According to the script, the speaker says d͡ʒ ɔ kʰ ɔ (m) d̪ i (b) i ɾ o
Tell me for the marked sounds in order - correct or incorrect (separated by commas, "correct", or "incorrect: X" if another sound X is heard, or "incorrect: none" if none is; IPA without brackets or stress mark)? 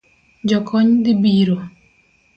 incorrect: ɲ, correct